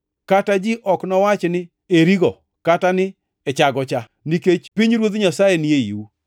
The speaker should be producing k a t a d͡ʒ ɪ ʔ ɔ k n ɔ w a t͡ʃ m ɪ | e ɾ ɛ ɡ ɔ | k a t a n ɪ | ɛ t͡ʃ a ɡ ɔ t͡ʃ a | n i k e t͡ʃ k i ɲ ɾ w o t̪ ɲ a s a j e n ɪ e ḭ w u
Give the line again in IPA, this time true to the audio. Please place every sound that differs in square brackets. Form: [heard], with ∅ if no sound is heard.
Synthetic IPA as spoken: k a t a d͡ʒ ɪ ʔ ɔ k n ɔ w a t͡ʃ [n] ɪ | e ɾ [i] ɡ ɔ | k a t a n ɪ | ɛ t͡ʃ a ɡ ɔ t͡ʃ a | n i k e t͡ʃ [p] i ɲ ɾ w o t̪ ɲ a s a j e n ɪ e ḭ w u